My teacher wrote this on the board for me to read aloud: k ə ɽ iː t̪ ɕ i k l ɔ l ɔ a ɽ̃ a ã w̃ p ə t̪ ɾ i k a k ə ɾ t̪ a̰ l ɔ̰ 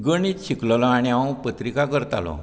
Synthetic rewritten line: ɡ ə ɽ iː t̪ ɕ i k l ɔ l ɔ a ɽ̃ i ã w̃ p ə t̪ ɾ i k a k ə ɾ t̪ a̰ l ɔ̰